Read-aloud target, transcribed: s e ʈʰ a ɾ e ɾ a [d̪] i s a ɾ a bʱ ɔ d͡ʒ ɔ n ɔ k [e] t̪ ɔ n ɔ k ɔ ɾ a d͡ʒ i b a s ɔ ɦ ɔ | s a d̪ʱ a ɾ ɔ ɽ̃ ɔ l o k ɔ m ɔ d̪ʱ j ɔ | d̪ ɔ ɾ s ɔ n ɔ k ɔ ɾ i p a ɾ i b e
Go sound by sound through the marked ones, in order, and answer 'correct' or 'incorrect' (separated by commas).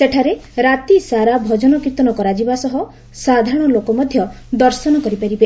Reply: incorrect, incorrect